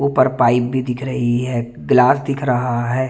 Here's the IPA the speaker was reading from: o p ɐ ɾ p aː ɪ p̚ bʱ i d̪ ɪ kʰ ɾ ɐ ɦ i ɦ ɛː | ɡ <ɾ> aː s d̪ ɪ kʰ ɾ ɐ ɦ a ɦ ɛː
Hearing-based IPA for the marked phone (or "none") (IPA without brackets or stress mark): l